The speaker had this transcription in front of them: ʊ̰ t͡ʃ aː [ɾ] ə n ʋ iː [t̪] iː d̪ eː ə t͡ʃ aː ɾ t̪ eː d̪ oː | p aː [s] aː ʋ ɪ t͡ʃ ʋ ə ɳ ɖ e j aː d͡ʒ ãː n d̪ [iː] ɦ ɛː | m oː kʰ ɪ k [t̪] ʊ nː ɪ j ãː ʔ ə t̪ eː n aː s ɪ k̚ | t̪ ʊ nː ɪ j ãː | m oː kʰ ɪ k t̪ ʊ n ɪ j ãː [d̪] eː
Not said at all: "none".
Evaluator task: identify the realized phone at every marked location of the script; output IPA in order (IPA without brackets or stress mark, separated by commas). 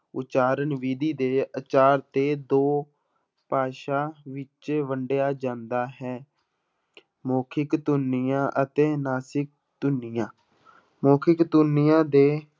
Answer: ɾ, d̪, ʃ, aː, t̪, d̪